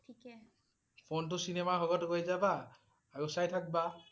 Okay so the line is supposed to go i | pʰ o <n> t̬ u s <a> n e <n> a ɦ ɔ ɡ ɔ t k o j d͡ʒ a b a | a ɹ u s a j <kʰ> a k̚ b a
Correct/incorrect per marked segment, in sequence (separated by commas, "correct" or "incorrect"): correct, incorrect, incorrect, incorrect